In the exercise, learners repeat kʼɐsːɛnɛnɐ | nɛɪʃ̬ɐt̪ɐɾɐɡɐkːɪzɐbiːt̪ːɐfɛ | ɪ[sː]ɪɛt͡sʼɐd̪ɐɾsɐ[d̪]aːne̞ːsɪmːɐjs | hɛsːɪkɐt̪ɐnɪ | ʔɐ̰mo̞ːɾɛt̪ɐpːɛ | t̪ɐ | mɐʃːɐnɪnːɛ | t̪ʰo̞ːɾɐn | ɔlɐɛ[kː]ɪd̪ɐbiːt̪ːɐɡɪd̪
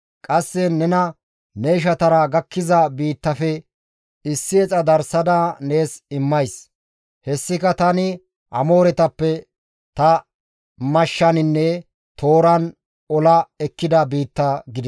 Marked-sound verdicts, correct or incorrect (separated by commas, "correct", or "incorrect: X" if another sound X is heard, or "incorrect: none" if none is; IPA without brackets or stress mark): correct, correct, correct